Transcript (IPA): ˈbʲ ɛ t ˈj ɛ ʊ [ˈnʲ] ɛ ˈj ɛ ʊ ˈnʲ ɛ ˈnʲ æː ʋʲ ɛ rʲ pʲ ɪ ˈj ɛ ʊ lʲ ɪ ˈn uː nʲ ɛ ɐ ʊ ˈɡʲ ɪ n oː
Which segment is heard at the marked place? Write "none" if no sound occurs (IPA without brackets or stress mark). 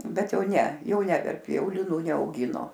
nʲ